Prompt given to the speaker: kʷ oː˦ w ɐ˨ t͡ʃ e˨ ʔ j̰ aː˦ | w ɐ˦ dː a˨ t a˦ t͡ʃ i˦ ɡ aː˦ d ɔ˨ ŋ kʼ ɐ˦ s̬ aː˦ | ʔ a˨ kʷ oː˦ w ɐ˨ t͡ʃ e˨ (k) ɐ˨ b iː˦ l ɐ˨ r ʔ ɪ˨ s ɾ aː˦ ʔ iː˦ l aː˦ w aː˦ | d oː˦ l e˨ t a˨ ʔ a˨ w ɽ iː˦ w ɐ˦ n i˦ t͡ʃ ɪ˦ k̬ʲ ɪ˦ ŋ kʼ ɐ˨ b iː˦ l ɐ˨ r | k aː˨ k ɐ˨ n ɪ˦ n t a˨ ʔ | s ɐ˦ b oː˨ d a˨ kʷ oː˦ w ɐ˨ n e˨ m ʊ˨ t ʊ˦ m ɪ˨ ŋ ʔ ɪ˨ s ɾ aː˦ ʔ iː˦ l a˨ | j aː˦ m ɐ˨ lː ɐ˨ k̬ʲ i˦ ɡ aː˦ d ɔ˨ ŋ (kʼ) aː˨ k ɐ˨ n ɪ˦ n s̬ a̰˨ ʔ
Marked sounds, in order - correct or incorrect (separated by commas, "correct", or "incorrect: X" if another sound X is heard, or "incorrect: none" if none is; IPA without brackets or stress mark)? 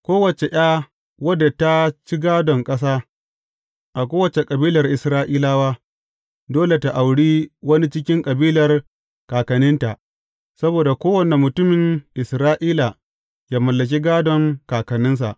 incorrect: kʼ, incorrect: k